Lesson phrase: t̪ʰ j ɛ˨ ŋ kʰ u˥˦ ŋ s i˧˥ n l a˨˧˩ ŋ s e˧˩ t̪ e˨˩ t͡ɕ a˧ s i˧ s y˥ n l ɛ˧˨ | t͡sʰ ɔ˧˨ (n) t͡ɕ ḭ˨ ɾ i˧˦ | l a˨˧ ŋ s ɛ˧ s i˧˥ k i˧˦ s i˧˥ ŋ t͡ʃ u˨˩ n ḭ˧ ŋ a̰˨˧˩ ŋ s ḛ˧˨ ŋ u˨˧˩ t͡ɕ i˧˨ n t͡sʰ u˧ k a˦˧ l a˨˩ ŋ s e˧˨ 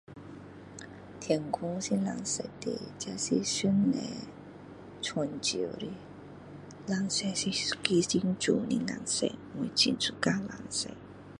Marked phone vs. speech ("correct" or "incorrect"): correct